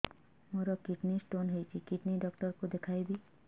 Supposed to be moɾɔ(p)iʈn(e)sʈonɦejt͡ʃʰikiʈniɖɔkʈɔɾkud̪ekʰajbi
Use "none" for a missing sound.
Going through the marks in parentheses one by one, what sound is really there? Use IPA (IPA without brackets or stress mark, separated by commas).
k, i